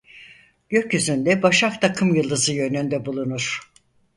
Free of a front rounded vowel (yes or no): no